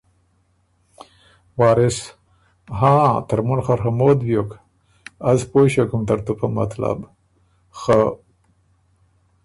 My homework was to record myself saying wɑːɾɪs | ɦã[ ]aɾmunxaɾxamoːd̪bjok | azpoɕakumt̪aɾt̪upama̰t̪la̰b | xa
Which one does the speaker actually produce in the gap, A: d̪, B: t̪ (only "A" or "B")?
B